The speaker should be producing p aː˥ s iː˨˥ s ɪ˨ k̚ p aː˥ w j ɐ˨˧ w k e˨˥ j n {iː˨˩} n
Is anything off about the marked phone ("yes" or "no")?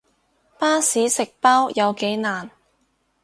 yes